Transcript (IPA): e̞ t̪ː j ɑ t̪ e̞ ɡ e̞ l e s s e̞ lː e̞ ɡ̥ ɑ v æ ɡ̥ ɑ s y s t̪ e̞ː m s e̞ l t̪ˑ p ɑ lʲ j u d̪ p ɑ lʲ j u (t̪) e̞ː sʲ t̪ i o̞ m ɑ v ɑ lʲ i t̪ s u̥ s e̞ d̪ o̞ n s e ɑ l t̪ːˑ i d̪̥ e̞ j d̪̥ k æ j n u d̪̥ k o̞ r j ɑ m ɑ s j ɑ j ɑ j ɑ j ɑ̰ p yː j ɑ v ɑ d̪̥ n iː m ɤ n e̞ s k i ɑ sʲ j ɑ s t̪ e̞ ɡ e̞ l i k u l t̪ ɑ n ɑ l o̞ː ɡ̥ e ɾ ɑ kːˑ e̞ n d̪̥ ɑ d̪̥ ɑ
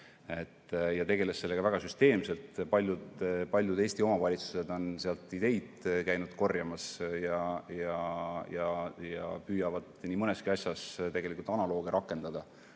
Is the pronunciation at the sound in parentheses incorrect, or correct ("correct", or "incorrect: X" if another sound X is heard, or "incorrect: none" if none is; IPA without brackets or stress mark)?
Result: incorrect: d̪